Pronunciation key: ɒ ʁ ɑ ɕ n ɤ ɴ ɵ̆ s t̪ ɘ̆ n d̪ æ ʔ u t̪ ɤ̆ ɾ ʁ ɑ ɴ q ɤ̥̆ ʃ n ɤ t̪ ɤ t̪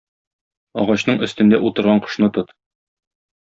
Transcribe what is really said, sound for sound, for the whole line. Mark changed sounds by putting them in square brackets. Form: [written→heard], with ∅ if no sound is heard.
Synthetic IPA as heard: ɒ ʁ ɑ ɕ n ɤ ɴ ɵ̆ s t̪ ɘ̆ n d̪ æ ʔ u t̪ ɤ̆ ɾ ʁ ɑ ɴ q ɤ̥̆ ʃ n ɤ t̪ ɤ t̪